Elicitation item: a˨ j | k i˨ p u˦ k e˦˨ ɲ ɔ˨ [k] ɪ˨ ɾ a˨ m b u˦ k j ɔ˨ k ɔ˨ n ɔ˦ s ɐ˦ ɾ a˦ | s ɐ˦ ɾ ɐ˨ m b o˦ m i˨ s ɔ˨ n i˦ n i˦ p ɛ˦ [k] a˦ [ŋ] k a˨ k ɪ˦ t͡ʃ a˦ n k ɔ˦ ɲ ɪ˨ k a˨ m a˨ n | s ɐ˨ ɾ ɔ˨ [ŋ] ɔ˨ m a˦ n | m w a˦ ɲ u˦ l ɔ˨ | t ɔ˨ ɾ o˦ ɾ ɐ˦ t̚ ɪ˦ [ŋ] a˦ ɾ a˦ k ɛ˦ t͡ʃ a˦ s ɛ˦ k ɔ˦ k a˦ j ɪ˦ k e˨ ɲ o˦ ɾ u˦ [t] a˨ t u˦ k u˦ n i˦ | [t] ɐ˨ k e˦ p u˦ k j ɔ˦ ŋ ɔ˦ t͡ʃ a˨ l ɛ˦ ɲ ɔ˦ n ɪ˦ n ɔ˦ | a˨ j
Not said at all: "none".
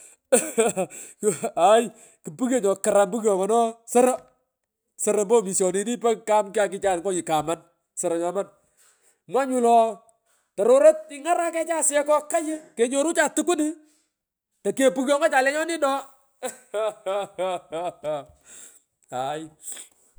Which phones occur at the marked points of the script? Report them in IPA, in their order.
k, k, m, ɲ, ŋ, t͡ʃ, t

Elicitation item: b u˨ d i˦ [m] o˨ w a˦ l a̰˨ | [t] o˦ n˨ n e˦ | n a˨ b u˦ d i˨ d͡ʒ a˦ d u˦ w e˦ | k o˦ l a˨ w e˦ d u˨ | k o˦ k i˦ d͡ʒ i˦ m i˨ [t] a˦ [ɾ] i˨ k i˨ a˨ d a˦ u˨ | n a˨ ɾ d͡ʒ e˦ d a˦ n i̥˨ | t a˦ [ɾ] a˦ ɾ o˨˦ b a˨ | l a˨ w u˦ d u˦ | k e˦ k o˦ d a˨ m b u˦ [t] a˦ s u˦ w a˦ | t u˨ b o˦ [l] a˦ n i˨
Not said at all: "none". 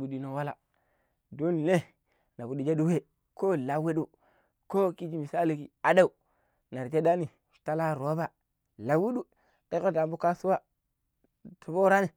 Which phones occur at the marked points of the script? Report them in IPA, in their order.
n, d, s, l, l, k, ɾ

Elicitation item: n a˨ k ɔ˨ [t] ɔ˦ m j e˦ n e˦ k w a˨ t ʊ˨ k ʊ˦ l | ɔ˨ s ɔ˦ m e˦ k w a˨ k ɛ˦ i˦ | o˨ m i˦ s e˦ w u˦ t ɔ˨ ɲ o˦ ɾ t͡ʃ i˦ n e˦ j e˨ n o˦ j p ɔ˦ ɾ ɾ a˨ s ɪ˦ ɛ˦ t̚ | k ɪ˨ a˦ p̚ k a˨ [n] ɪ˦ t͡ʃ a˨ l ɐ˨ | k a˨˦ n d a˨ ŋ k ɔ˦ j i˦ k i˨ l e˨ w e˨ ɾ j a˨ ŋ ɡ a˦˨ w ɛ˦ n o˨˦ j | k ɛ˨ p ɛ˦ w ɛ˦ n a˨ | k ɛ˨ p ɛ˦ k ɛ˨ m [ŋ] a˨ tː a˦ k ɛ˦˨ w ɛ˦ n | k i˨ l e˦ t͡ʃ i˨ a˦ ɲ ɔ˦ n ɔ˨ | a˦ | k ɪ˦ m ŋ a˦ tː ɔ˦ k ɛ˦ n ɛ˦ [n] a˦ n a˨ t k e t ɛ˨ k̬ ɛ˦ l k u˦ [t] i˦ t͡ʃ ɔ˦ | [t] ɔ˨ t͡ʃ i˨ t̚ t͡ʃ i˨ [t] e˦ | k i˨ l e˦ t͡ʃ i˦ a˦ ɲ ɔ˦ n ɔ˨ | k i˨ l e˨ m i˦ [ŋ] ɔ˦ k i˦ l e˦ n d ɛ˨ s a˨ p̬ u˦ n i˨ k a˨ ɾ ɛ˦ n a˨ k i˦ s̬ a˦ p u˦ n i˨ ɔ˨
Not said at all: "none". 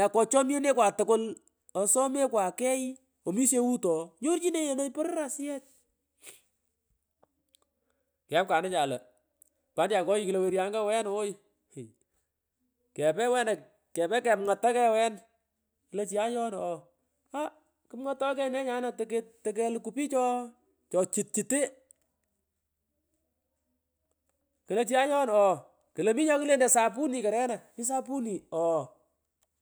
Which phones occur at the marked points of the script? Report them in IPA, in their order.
t͡ʃ, n, ŋ, ɲ, p, t͡ʃ, t, ɲ

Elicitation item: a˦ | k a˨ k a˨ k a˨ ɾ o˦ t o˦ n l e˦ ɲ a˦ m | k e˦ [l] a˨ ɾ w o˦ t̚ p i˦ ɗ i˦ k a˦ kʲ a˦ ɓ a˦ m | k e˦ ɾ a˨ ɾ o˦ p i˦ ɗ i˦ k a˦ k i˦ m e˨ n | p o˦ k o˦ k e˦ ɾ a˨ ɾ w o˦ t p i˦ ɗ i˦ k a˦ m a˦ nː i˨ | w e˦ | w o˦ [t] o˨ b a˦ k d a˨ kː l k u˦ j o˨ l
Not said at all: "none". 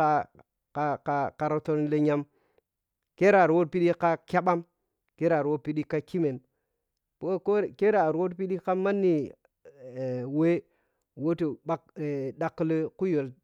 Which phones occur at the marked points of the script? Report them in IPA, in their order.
ɾ, t

